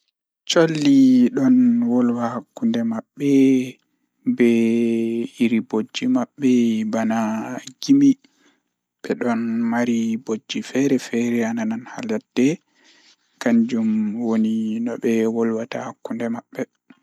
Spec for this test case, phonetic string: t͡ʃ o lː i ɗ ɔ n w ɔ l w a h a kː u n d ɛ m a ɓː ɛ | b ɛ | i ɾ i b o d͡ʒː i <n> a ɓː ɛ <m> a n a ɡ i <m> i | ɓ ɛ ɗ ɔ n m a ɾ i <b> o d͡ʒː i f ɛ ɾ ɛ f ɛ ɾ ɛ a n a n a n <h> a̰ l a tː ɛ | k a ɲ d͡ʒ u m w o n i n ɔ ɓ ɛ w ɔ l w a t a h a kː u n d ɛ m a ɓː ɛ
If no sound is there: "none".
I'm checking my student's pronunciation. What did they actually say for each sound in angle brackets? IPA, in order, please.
m, b, m, b, h

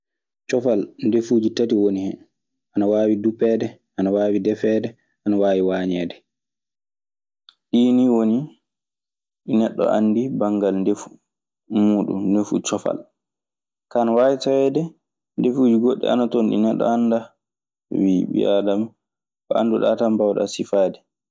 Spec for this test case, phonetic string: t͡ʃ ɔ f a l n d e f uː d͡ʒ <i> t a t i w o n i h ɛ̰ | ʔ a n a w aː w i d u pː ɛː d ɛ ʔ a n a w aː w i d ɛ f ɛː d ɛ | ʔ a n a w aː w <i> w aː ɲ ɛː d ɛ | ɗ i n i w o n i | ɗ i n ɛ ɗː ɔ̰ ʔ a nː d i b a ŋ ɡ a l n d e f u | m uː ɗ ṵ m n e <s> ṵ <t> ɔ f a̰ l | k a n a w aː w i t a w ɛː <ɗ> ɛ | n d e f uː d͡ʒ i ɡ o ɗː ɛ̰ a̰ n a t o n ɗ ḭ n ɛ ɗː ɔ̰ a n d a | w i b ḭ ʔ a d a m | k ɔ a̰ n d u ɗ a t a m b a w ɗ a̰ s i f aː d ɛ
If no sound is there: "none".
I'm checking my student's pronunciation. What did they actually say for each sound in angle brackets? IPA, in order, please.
i, i, f, t͡ʃ, d

